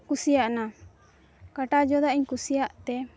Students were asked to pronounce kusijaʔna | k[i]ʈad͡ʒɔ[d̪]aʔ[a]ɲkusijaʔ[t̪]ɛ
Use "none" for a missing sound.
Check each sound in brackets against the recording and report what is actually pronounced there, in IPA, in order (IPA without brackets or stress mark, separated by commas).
a, d̪, i, t̪